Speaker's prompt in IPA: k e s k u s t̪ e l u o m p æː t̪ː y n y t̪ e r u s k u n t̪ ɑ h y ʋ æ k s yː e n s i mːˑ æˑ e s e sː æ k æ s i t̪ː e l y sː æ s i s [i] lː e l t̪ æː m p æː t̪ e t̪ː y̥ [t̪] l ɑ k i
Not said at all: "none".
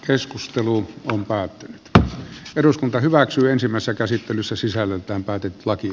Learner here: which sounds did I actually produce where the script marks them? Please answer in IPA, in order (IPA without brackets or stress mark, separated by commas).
æ, none